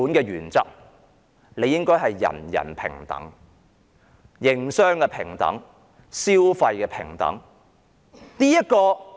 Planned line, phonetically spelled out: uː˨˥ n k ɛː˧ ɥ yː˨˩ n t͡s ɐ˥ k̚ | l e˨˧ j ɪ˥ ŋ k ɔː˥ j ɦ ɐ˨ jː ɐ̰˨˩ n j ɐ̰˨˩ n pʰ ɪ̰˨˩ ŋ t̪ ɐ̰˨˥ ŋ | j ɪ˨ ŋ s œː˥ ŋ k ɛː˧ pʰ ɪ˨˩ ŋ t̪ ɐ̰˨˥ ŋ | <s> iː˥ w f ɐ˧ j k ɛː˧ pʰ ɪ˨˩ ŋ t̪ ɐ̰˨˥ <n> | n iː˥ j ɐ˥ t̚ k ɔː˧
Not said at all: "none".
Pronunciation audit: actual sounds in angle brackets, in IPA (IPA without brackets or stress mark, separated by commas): s, ŋ